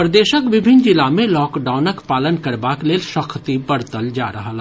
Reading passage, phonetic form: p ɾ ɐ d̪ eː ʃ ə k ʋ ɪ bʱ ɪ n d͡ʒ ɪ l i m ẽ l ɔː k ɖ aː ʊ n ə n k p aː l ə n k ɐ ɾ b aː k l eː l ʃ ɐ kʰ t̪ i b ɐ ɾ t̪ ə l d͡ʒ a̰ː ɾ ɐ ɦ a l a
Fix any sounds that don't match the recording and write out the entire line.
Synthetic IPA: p ɾ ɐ d̪ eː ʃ ə k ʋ ɪ bʱ ɪ n d͡ʒ ɪ l a m ẽ l ɔː k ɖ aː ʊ n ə k p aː l ə n k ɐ ɾ b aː k l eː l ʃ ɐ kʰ t̪ i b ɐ ɾ t̪ ə l d͡ʒ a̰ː ɾ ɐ ɦ a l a